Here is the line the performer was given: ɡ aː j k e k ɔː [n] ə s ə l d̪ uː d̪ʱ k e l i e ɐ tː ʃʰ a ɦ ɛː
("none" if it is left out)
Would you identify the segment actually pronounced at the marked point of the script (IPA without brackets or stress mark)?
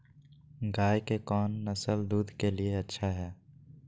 nː